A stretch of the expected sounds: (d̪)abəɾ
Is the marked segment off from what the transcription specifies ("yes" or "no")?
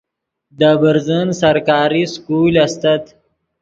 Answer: no